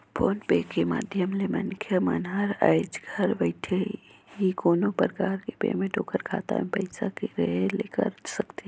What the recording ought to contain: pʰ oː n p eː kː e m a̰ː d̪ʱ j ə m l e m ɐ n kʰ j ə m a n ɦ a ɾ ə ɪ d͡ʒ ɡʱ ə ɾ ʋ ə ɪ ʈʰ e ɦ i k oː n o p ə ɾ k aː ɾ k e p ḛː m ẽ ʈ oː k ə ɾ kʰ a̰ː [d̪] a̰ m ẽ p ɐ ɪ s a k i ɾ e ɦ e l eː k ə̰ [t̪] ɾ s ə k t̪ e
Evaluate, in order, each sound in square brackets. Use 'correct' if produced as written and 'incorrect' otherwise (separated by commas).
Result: incorrect, incorrect